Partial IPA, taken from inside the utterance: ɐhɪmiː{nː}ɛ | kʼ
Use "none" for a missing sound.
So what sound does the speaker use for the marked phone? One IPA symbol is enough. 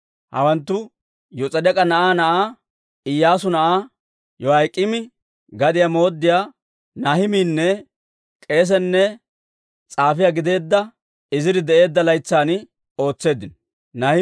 nː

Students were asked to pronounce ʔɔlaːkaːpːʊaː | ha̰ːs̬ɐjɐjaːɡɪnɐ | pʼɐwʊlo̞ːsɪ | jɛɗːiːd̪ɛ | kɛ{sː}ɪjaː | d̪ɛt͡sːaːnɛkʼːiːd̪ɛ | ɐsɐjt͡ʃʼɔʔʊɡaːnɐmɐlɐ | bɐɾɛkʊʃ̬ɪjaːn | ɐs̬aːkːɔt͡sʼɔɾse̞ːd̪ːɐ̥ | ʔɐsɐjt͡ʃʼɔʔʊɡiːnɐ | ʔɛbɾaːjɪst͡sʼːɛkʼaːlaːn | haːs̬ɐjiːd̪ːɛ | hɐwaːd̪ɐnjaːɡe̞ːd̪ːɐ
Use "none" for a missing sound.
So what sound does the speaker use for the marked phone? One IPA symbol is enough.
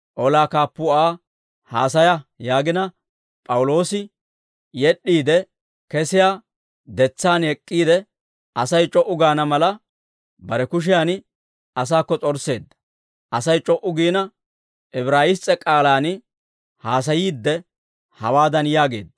s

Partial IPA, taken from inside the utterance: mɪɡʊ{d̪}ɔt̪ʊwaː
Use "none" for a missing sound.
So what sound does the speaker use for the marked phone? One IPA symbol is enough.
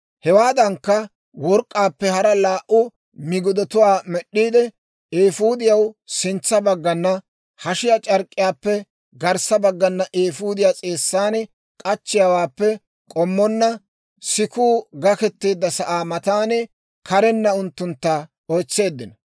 d̪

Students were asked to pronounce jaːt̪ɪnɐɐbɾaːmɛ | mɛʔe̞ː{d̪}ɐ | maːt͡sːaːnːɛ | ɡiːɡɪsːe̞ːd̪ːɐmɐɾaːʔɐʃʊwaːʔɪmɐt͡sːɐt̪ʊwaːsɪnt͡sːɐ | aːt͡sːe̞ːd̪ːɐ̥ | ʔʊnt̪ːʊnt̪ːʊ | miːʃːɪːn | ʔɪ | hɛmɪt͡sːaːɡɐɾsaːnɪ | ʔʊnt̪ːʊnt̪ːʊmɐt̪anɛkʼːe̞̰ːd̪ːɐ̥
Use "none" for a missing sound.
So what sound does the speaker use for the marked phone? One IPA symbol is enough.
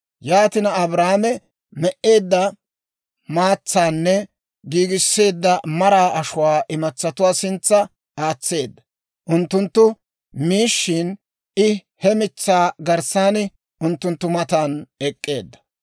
d̪ː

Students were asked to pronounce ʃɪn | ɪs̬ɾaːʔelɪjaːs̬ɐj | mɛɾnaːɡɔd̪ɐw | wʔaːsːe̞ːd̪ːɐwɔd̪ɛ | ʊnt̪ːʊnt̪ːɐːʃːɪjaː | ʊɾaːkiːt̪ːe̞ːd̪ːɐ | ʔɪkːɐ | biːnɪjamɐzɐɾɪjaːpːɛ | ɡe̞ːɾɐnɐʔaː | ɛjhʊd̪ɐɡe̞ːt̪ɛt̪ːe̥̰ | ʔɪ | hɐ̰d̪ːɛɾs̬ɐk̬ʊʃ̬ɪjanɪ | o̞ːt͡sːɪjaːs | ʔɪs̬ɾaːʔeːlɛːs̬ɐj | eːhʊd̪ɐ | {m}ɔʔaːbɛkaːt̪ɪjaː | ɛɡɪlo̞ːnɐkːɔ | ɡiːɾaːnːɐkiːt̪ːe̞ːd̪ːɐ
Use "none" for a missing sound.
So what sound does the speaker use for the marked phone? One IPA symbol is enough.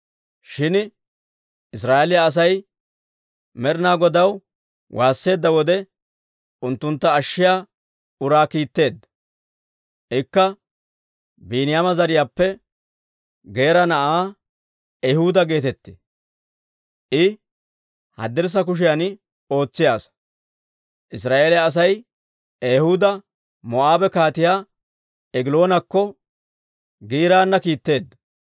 m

